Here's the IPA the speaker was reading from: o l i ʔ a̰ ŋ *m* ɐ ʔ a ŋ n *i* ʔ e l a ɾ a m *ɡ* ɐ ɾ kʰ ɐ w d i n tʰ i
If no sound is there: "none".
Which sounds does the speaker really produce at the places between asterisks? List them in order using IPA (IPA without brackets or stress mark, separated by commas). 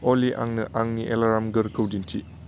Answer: n, i, ɡ